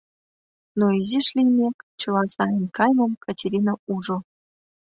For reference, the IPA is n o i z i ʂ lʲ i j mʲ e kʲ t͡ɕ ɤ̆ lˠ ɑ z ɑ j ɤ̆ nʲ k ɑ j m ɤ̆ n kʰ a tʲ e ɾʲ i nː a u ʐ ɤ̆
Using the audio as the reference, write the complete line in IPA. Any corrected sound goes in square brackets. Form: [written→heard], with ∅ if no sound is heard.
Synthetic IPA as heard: n o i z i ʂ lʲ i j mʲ e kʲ t͡ɕ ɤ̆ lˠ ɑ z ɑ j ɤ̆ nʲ k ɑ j m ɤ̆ [n→m] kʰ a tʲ e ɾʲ i [nː→n] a u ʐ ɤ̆